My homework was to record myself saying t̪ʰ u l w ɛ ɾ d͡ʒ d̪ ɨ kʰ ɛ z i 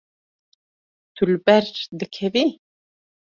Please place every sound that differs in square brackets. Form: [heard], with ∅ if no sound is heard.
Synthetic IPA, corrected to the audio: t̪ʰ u l [b] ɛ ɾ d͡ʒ d̪ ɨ kʰ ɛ [v] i